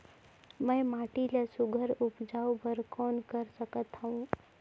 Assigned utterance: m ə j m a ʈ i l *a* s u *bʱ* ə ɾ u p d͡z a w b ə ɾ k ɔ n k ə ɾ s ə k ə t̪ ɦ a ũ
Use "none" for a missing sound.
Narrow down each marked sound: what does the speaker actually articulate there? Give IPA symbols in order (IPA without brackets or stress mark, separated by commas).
a, ɡʱ